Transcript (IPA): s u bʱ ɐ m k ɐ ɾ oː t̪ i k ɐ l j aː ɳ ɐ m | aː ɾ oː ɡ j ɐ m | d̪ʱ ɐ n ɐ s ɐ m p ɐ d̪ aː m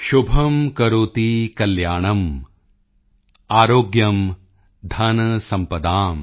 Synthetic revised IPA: ʃ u bʱ ɐ m k ɐ ɾ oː t̪ i k ɐ l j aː ɳ ɐ m | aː ɾ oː ɡ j ɐ m | d̪ʱ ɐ n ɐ s ɐ m p ɐ d̪ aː m